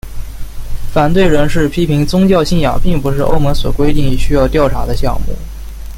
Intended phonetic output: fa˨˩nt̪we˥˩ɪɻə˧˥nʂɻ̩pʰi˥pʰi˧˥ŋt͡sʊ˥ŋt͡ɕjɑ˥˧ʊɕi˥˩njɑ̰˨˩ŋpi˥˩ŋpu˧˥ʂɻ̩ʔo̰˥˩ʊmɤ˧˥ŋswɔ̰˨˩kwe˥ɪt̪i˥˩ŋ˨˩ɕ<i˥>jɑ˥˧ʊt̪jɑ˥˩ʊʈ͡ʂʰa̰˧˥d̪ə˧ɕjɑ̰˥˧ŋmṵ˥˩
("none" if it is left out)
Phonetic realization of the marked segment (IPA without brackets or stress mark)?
y˥